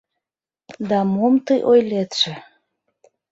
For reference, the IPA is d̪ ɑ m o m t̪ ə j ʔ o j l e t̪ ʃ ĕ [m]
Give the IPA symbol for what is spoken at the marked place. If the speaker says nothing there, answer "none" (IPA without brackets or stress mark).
none